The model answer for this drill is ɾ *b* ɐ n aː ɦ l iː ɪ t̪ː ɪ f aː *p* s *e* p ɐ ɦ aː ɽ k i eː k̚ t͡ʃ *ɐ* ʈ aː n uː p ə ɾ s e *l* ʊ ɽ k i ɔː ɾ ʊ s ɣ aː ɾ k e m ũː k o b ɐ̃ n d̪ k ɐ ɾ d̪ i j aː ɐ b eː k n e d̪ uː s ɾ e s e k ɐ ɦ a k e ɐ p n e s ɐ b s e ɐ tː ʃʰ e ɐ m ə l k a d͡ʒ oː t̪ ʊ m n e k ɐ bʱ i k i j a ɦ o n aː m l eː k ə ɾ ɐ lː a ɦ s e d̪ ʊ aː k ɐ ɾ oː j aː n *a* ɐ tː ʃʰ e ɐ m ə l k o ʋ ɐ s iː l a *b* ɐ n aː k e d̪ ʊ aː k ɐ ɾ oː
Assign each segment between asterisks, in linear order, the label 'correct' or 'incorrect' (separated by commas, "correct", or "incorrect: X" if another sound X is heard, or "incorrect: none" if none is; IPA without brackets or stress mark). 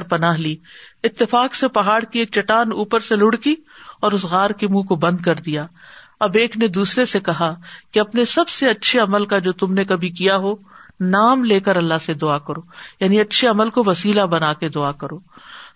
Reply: incorrect: p, incorrect: k, correct, correct, correct, incorrect: i, correct